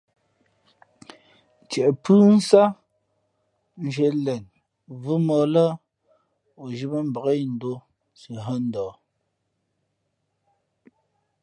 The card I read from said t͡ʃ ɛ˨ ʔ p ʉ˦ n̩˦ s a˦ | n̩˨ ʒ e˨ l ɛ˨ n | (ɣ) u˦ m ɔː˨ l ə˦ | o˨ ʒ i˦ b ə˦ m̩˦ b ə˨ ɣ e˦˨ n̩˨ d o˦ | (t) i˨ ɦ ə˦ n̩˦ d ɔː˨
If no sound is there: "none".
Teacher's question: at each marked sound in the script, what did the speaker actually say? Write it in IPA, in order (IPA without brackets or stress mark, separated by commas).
v, s